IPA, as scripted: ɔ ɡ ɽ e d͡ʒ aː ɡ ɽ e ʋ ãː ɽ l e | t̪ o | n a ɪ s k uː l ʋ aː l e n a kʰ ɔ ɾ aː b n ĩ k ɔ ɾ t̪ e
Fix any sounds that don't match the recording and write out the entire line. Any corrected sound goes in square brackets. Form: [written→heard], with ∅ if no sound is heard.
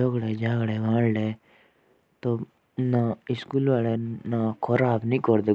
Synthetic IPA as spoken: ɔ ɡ ɽ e d͡ʒ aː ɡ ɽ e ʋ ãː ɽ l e | t̪ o | n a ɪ s k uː l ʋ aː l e n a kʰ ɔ ɾ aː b n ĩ k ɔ ɾ [t̪→d̪] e